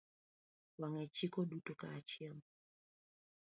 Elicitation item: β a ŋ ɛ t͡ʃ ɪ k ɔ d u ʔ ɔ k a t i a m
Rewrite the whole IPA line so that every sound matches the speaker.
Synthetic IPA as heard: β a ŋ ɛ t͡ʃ i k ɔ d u t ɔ k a t͡ʃ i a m